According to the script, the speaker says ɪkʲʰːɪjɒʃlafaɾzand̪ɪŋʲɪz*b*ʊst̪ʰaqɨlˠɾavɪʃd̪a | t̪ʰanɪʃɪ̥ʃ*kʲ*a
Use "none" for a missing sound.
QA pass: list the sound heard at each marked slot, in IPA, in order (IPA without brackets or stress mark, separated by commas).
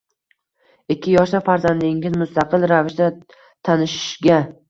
m, ɡʲ